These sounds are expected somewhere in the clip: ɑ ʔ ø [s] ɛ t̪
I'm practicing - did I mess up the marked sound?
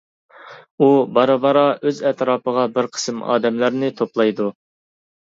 yes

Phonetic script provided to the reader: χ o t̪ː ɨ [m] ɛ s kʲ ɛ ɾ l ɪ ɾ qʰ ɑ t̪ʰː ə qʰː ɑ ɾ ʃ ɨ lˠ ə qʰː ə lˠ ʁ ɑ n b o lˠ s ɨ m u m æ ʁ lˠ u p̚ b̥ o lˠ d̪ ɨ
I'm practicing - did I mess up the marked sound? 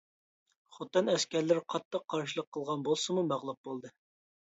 yes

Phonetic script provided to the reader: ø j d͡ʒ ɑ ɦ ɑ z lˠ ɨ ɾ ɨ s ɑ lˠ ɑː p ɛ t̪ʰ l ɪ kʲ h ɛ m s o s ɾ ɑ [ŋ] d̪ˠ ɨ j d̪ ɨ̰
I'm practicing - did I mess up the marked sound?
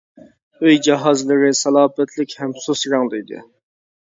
no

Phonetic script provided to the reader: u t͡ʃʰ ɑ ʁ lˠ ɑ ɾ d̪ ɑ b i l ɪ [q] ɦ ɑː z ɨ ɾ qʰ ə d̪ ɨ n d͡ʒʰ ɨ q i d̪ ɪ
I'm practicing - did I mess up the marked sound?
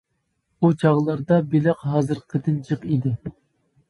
no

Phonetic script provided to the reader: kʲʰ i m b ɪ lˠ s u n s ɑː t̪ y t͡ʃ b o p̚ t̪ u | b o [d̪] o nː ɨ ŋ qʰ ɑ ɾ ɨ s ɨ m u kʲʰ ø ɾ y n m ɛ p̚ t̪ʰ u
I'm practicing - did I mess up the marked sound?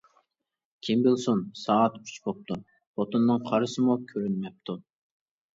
yes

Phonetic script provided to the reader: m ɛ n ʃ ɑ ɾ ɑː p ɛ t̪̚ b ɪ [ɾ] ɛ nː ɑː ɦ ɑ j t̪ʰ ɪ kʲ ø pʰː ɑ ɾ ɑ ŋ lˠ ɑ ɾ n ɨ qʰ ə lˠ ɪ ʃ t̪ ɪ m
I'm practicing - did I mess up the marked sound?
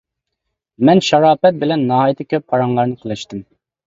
yes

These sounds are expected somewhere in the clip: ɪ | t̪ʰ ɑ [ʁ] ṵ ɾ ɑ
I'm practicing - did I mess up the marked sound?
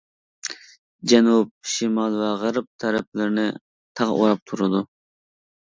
no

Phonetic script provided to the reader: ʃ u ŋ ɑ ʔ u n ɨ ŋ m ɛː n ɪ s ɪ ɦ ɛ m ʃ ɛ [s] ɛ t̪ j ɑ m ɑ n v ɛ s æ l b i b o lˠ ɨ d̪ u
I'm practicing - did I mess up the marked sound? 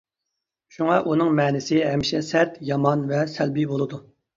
no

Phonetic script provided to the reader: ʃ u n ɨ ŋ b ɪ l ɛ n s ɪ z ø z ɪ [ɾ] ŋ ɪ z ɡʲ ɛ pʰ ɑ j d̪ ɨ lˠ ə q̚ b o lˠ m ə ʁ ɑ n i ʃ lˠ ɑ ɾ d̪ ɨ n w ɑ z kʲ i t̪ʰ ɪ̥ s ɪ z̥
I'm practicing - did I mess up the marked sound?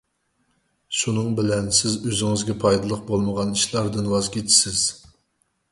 yes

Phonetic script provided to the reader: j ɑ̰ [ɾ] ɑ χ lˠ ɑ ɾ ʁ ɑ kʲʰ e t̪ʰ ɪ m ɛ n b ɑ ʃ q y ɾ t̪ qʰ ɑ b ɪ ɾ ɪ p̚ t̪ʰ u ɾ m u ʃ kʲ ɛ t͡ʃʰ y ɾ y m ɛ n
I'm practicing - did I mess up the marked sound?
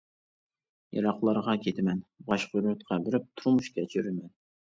no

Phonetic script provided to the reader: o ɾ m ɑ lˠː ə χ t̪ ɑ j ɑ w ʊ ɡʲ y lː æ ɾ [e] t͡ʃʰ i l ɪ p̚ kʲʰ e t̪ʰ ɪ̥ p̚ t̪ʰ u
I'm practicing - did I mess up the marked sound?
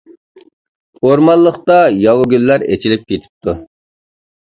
no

